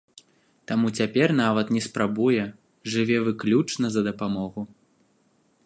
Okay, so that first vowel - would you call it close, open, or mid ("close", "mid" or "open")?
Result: open